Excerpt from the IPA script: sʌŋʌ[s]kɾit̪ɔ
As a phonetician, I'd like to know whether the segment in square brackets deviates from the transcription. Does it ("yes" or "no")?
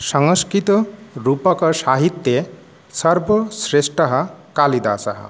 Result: no